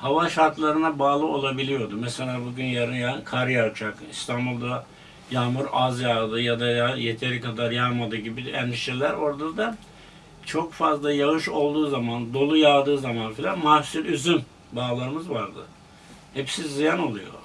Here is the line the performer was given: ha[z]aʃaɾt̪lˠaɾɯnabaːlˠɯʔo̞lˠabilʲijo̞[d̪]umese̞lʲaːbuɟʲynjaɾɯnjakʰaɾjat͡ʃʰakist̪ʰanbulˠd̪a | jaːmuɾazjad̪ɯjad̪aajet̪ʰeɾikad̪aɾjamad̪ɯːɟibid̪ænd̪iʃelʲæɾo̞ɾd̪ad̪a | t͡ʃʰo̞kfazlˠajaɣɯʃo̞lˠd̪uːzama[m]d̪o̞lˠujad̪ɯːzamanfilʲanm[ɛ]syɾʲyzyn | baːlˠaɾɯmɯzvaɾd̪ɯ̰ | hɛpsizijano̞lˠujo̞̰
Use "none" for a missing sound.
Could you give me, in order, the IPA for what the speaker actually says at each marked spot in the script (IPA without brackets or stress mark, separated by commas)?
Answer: v, d̪, n, a